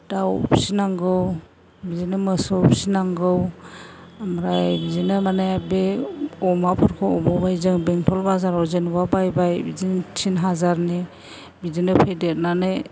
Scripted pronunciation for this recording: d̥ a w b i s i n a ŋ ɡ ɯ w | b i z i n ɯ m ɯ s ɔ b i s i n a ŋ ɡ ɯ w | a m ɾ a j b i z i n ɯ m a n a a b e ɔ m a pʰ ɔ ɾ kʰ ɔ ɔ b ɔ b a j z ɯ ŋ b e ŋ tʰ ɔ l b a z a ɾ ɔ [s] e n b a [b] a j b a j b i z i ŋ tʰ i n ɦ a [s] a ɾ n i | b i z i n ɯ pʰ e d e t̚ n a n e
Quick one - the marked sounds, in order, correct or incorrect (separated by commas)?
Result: incorrect, correct, incorrect